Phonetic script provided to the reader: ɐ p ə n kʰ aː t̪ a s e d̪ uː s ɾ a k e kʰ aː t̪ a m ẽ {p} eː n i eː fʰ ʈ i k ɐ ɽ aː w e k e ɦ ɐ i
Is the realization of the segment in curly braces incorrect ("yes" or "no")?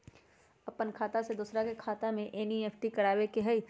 yes